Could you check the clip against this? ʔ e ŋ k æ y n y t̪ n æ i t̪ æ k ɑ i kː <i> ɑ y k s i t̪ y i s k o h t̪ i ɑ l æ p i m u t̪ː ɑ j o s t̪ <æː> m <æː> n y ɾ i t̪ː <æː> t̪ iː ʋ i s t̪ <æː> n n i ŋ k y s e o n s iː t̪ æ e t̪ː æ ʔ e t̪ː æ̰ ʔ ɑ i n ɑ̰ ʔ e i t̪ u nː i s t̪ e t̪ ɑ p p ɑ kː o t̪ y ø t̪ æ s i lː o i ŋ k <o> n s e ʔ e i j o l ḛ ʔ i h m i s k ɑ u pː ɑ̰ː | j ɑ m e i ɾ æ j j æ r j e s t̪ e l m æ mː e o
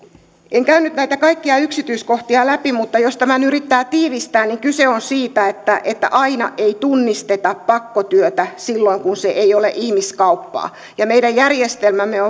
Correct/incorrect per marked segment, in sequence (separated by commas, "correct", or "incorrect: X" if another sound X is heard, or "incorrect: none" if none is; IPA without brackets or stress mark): correct, incorrect: æ, incorrect: æ, correct, correct, incorrect: u